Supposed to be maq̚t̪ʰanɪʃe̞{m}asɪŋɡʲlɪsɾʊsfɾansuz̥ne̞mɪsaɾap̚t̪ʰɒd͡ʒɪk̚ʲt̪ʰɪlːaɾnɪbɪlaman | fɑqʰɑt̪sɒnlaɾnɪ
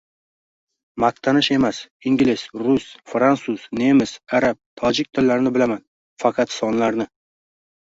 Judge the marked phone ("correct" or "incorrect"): correct